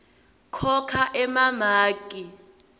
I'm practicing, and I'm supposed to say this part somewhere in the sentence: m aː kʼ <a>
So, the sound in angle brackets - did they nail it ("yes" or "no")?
no